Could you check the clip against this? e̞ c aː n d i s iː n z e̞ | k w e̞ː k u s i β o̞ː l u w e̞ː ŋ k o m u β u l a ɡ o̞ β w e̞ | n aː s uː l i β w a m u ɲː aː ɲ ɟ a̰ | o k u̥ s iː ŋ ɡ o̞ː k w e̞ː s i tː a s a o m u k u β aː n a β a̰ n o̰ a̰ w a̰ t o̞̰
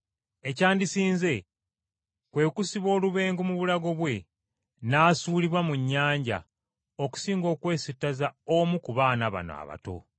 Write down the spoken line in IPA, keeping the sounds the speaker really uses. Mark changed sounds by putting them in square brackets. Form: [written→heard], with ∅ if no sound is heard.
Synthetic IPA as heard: e̞ c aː n d i s iː n z e̞ | k w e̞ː k u s i β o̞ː l u [w→β] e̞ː ŋ [k→ɡ] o m u β u l a ɡ o̞ β w e̞ | n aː s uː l i β w a m u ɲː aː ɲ ɟ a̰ | o k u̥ s iː ŋ ɡ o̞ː k w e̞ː s i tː a [s→z] a o m u k u β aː n a β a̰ n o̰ a̰ [w→β] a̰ t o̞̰